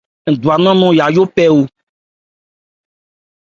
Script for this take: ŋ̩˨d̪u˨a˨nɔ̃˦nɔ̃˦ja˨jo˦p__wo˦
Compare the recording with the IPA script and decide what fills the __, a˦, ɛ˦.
ɛ˦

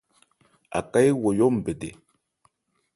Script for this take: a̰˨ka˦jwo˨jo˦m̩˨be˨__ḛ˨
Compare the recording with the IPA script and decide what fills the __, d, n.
d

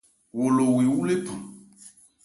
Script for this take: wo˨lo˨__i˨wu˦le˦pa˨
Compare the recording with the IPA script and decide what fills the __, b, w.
w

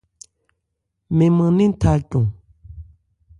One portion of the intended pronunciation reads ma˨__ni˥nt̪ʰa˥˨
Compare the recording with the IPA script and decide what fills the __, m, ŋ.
ŋ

